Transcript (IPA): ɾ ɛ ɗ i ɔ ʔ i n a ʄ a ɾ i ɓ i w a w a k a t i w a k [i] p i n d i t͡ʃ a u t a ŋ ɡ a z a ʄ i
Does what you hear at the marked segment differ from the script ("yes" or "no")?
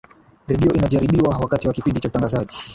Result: no